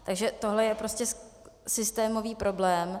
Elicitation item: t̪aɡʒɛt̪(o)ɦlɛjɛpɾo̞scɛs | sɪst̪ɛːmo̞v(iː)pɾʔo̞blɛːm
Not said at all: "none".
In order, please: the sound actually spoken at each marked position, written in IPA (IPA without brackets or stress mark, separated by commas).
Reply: o, iː